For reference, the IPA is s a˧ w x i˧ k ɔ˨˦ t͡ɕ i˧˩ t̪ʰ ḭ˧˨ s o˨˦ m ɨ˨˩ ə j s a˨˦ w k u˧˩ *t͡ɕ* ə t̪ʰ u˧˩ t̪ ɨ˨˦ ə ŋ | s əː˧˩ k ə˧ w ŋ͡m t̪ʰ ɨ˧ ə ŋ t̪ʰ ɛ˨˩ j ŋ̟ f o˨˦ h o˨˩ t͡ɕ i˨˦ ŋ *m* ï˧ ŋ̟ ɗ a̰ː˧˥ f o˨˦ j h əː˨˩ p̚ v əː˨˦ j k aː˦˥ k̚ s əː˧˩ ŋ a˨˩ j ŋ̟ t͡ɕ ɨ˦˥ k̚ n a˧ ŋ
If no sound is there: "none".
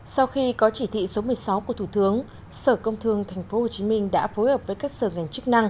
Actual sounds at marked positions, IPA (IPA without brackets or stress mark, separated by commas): none, m